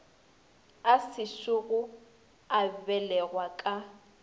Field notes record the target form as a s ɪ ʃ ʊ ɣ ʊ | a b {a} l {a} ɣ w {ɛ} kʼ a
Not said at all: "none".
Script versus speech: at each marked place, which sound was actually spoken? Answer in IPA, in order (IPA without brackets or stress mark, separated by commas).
ɛ, ɛ, a